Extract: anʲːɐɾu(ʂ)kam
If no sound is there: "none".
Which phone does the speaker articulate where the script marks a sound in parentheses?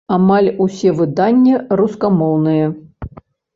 s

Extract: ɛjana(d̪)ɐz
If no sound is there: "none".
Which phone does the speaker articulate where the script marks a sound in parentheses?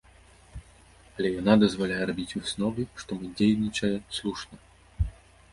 d̪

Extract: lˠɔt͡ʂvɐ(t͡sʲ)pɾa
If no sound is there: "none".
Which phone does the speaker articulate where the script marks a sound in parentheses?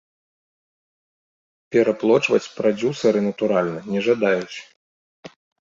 t͡sʲ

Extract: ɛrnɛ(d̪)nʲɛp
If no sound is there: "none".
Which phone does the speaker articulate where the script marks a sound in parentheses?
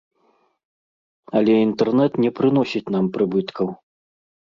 t̪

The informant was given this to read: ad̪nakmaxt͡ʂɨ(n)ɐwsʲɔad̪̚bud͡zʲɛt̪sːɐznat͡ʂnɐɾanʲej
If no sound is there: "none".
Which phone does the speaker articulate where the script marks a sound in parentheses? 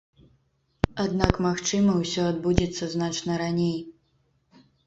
m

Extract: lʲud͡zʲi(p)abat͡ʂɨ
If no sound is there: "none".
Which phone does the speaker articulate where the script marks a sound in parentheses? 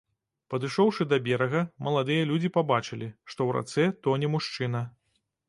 p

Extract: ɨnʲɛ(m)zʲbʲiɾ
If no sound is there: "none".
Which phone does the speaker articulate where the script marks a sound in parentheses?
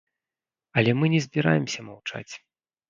none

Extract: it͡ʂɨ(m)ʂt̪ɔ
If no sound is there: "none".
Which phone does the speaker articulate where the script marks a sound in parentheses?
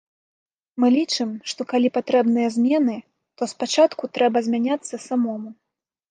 m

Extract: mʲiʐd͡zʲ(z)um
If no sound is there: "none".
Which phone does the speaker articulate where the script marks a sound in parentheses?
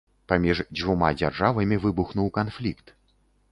v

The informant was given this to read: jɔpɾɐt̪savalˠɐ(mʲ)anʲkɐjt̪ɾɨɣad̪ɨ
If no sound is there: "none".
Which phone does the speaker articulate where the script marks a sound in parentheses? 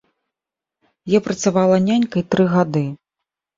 nʲ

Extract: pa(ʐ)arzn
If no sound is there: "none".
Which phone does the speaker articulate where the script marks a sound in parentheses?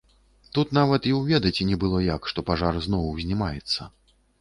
ʐ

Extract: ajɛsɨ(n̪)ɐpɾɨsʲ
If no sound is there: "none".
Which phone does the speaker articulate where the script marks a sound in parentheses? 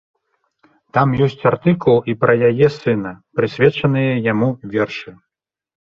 n̪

